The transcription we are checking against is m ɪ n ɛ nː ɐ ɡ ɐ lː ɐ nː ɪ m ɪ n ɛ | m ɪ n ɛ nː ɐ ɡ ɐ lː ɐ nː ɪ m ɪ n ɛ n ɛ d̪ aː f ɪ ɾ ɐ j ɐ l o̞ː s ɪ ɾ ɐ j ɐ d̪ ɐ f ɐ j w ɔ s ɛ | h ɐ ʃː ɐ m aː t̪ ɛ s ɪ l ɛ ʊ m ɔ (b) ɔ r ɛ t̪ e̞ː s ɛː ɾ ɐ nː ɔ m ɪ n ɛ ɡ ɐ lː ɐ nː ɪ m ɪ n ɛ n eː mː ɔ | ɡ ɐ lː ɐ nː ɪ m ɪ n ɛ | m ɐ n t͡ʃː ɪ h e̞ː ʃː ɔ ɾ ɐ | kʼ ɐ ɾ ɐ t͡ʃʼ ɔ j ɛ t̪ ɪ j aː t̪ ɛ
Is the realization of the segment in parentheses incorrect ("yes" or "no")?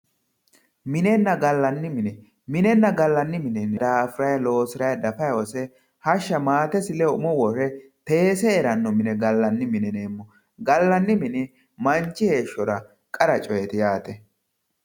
yes